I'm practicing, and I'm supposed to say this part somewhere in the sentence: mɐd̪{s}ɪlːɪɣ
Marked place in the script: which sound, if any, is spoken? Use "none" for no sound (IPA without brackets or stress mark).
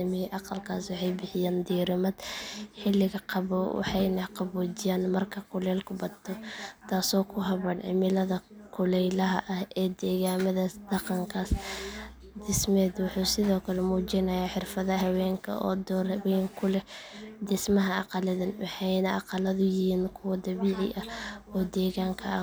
ħ